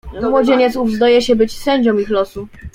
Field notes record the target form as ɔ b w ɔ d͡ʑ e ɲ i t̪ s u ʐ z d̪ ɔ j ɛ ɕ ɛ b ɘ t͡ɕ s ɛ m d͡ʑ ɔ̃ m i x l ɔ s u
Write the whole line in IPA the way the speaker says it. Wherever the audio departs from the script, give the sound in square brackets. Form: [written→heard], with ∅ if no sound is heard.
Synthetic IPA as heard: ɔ [b→m] w ɔ d͡ʑ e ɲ [i→ɛ] t̪ s u [ʐ→v] z d̪ ɔ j ɛ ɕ ɛ b ɘ t͡ɕ s ɛ [m→ɲ] d͡ʑ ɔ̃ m i x l ɔ s u